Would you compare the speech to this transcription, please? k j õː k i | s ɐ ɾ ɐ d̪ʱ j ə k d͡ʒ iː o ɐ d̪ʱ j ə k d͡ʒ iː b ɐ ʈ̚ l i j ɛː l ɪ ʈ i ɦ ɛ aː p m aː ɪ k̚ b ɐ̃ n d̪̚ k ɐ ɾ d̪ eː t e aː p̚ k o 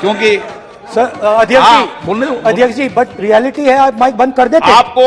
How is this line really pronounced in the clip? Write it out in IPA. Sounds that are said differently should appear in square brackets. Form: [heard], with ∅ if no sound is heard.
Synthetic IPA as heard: k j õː k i | s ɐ ɾ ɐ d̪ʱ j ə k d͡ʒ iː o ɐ d̪ʱ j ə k d͡ʒ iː b ɐ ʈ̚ [ɾ] i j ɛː l ɪ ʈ i ɦ ɛ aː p m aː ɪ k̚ b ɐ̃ n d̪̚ k ɐ ɾ d̪ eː t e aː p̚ k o